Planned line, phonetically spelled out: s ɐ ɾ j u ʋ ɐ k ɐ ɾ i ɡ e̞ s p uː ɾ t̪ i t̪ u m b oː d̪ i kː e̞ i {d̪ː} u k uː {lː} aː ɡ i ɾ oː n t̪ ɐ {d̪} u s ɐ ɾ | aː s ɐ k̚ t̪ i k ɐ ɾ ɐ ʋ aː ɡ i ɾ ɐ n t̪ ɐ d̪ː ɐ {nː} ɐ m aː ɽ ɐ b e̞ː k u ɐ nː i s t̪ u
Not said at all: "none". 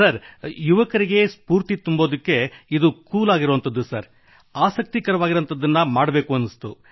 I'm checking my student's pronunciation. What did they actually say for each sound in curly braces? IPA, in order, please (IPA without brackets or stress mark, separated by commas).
d̪, l, d̪ː, nː